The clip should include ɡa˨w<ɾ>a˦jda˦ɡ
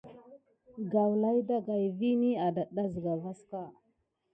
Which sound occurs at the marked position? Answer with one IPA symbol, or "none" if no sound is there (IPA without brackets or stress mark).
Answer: l